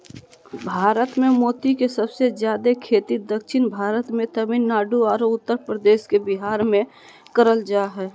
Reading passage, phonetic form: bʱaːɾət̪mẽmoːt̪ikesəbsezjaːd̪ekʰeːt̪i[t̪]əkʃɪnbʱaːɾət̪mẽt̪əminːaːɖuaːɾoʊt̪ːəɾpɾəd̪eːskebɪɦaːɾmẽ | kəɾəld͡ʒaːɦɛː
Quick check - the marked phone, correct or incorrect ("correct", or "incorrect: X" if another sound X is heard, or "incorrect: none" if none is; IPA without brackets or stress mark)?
incorrect: d̪